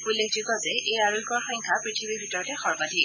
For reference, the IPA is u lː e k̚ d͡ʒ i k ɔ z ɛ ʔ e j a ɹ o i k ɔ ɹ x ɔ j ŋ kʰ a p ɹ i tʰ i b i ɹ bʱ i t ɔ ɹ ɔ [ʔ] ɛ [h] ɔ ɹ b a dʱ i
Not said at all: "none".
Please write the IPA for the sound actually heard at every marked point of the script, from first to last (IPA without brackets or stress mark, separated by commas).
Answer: t, x